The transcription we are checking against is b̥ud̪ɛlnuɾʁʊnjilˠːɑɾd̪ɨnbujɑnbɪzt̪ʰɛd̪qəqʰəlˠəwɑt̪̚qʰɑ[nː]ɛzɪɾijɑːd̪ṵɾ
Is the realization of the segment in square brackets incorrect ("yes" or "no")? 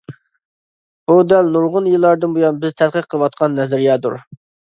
no